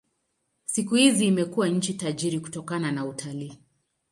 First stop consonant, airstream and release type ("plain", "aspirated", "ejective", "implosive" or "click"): plain